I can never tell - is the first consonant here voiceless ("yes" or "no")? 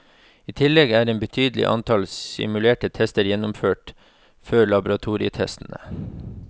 yes